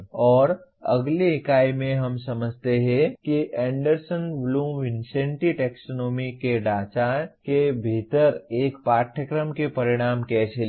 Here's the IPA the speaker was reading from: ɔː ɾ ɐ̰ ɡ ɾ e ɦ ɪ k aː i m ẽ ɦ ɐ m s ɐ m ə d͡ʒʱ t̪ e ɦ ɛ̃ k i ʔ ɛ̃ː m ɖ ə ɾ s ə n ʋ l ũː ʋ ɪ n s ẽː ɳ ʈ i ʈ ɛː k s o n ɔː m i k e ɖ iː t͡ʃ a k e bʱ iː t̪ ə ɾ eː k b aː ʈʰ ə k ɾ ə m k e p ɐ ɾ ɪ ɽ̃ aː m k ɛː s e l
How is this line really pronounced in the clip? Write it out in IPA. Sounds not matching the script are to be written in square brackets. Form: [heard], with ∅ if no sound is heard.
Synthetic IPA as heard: ɔː ɾ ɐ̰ ɡ [l] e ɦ ɪ k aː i m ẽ ɦ ɐ m s ɐ m ə d͡ʒʱ t̪ e ɦ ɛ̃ k i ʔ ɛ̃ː [ɳ] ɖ ə ɾ s ə n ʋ l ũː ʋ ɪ n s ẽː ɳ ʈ i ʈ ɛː k s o n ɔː m i k e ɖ [aː] t͡ʃ a k e bʱ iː t̪ ə ɾ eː k [p] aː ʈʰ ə k ɾ ə m k e p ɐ ɾ ɪ ɽ̃ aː m k ɛː s e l